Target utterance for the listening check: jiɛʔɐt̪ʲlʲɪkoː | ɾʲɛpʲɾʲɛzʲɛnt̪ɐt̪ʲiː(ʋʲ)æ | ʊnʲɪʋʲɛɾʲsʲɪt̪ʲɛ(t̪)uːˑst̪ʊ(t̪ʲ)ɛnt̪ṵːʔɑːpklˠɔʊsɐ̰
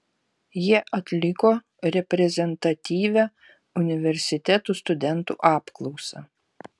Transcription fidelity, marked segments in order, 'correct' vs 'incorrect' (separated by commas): correct, correct, incorrect